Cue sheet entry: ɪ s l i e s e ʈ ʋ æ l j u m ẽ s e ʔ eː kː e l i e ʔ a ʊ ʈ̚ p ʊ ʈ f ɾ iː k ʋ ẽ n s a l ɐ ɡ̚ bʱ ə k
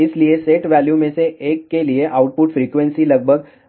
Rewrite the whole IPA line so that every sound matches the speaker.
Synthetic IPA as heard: ɪ s l i e s e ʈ ʋ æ l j u m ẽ s e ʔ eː kː e l i e ʔ a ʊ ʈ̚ p ʊ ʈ f ɾ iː k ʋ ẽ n s i l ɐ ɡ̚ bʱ ə ɡ